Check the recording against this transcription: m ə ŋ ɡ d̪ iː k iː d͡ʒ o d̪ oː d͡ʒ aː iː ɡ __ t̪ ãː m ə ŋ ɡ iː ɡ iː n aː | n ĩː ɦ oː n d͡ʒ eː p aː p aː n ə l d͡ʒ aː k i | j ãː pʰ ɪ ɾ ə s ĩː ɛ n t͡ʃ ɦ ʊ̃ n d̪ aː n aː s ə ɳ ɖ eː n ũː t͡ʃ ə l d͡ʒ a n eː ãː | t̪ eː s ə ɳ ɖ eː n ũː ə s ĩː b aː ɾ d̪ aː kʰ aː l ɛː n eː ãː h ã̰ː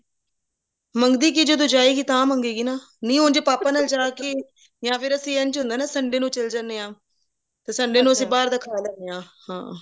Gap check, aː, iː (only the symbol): iː